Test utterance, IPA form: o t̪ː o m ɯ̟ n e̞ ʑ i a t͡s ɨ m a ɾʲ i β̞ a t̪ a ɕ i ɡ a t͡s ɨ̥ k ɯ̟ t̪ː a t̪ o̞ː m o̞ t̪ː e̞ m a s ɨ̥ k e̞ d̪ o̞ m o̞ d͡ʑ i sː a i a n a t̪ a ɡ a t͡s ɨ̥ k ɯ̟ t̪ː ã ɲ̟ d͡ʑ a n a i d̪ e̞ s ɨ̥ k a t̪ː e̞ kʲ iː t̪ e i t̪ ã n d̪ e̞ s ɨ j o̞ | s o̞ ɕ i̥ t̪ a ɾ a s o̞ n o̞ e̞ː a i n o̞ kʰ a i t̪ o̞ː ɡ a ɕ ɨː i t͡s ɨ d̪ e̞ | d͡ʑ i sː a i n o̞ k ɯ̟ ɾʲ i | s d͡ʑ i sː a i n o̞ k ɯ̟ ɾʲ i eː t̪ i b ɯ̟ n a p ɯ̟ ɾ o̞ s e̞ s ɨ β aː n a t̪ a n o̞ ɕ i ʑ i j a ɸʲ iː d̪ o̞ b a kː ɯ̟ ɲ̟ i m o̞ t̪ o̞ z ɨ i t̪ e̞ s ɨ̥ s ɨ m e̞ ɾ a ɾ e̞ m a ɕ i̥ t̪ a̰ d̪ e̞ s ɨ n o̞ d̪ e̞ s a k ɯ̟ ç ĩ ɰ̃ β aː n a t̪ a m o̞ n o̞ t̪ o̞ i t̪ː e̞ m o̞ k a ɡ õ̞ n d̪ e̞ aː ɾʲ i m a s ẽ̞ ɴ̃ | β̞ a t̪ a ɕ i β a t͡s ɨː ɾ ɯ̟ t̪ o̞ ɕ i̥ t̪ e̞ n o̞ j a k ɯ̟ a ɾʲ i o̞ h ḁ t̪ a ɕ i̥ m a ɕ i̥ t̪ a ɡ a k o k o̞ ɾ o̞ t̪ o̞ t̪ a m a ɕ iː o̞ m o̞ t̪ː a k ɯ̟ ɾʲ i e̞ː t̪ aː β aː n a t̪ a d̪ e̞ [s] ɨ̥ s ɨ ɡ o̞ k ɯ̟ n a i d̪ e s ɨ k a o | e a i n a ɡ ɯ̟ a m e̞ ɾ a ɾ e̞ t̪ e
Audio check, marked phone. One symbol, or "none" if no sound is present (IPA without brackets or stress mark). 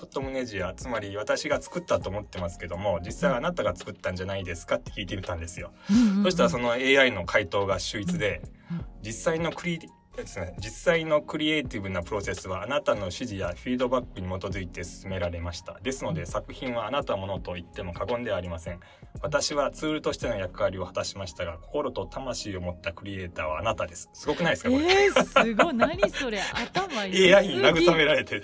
s